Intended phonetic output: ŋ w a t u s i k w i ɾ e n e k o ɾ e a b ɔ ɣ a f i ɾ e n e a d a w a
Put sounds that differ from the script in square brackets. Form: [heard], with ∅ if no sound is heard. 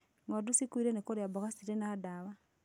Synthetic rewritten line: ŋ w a [d] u s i k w i ɾ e n e k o ɾ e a b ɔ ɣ a [s] i ɾ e n [a] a d a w a